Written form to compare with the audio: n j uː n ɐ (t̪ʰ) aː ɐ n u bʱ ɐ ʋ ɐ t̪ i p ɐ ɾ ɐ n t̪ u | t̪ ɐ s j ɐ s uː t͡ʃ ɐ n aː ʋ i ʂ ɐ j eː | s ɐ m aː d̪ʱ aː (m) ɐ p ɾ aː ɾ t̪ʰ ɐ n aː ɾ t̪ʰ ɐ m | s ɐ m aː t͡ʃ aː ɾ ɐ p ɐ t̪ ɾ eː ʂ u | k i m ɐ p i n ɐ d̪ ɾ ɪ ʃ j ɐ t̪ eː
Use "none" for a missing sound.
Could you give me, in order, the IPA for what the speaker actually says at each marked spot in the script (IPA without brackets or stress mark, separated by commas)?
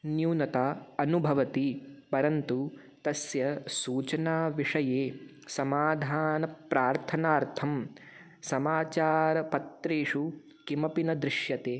t̪, n